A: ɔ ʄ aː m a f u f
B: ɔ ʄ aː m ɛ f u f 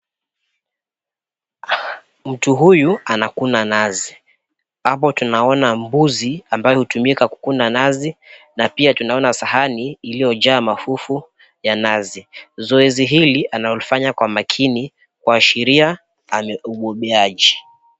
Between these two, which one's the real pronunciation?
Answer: A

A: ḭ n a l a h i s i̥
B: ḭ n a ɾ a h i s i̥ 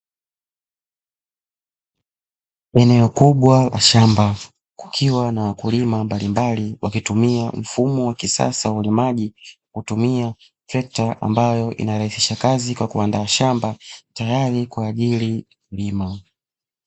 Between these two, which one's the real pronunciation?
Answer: B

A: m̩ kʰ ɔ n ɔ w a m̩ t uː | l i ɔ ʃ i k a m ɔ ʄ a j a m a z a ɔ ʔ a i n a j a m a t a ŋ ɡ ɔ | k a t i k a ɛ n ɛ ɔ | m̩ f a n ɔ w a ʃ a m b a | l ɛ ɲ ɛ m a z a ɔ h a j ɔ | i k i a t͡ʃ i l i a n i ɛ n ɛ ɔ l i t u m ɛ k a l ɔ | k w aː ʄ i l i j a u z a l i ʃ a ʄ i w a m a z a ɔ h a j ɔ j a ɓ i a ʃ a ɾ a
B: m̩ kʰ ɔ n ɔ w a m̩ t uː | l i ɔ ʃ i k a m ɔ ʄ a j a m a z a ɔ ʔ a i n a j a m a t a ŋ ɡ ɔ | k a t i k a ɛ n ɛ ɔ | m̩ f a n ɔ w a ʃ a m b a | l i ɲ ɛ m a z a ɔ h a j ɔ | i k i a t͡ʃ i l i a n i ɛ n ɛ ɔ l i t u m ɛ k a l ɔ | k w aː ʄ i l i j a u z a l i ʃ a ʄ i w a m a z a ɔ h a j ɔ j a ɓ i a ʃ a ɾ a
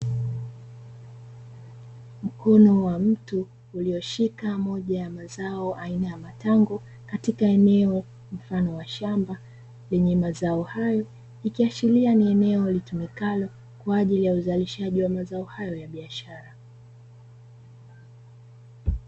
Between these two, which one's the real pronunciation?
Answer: A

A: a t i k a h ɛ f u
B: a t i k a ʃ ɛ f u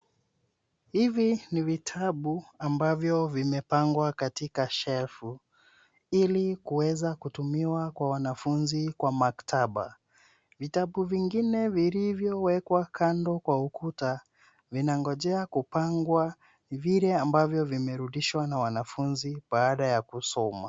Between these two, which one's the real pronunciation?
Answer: B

